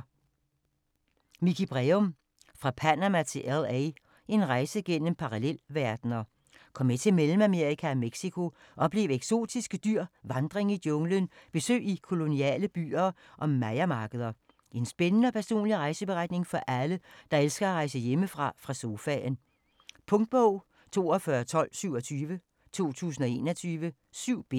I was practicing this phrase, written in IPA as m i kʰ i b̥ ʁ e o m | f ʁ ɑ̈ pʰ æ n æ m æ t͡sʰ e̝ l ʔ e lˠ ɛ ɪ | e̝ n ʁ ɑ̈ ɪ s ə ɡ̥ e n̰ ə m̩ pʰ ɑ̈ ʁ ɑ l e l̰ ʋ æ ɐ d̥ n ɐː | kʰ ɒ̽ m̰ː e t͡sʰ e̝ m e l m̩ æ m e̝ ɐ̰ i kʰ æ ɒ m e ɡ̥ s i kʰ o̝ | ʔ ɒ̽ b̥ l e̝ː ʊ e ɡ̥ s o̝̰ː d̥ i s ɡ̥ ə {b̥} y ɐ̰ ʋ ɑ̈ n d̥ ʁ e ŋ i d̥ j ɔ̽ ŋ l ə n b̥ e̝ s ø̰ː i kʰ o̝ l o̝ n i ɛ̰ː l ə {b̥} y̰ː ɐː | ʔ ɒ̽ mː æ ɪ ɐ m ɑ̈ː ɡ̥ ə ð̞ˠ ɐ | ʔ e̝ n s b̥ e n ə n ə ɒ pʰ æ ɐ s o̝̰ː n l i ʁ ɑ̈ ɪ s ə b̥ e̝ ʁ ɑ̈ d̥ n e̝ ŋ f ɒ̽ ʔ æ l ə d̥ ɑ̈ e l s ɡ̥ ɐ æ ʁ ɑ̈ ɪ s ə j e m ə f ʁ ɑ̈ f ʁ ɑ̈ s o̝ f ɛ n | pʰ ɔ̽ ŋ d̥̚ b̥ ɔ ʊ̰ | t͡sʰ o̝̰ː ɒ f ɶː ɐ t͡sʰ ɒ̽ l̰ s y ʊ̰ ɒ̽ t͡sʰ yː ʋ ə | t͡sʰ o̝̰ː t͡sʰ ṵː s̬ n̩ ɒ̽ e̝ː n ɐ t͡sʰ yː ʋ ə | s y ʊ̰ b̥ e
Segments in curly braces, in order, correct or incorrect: incorrect: d̥, correct

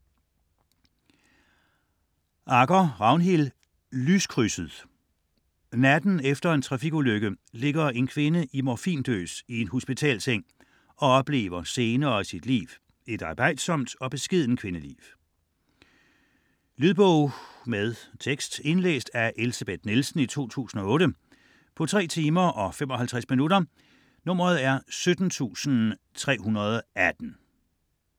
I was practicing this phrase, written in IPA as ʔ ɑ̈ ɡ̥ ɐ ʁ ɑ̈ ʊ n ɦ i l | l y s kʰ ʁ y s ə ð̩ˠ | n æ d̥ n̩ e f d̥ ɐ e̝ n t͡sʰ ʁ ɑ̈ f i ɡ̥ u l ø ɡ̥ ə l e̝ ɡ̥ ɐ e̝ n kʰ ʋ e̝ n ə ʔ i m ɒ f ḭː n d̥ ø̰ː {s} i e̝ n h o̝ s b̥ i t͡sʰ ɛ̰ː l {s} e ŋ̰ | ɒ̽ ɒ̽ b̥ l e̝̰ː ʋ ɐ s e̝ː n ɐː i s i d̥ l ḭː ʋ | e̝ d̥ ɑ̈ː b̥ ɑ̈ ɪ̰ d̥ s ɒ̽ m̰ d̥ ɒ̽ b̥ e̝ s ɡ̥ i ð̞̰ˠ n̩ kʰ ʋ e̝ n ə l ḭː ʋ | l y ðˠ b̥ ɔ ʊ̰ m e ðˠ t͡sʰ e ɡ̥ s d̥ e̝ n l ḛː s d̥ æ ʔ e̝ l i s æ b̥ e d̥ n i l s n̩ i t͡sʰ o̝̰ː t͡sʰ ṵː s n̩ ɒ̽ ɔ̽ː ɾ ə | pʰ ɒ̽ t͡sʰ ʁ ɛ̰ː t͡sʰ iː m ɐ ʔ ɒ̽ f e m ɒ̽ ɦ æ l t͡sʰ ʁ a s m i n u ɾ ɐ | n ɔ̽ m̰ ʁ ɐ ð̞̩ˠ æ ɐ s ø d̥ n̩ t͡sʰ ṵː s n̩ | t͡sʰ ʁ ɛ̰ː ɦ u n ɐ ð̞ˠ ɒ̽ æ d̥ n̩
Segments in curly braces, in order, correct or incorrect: correct, correct

